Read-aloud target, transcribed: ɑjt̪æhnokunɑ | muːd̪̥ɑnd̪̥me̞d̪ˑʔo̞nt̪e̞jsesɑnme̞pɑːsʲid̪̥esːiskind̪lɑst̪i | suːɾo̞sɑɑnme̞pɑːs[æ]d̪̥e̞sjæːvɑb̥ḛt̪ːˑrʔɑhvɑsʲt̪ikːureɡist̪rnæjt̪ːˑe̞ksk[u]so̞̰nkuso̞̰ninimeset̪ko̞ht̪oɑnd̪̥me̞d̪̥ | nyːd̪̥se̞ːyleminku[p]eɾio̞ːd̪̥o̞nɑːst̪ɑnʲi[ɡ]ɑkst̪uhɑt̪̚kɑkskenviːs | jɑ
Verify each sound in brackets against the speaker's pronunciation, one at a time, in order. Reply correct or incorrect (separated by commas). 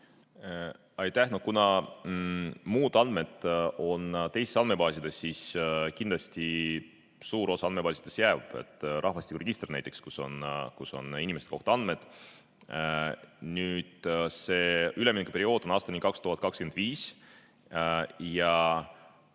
incorrect, correct, correct, incorrect